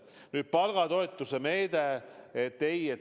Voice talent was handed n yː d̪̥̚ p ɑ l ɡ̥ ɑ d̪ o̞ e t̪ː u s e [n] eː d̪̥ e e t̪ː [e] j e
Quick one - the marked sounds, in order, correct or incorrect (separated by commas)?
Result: incorrect, correct